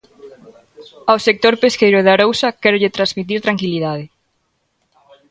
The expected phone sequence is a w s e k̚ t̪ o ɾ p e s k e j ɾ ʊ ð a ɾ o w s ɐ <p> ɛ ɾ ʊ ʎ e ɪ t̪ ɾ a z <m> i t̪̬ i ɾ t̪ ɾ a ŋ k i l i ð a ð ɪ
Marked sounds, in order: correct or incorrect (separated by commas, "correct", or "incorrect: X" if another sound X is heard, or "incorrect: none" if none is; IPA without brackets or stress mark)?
incorrect: k, correct